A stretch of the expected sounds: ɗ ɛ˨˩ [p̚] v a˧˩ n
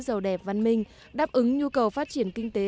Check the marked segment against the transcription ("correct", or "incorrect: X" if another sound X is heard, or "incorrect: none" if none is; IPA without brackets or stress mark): correct